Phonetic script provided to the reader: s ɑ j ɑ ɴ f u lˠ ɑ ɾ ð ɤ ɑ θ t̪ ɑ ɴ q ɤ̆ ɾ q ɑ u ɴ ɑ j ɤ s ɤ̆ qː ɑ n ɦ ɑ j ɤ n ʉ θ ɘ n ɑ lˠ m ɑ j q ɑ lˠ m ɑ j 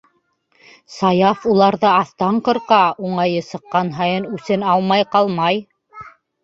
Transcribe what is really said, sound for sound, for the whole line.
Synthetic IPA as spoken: s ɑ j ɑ f u lˠ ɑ ɾ ð ɤ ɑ θ t̪ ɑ ɴ q ɤ̆ ɾ q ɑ u ɴ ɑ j ɤ s ɤ̆ qː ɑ n ɦ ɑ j ɤ n ʉ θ ɘ n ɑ lˠ m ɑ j q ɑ lˠ m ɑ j